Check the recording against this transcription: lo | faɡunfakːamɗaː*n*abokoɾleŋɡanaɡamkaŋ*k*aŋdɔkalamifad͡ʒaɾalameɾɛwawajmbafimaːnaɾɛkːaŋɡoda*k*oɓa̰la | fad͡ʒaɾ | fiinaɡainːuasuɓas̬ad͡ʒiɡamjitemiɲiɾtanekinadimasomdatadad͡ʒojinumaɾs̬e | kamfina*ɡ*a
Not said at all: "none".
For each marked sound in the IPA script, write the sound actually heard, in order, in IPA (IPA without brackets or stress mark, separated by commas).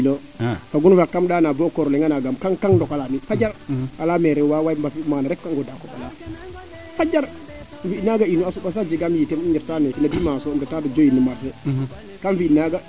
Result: n, k, k, ɡ